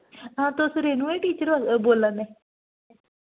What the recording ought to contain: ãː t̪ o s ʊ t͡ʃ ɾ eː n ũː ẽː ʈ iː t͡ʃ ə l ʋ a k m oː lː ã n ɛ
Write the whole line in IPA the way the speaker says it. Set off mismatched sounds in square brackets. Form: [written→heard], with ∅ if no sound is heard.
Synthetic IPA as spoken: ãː t̪ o s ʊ [t͡ʃ→∅] ɾ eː n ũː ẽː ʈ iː t͡ʃ ə [l→ɾ] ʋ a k [m→b] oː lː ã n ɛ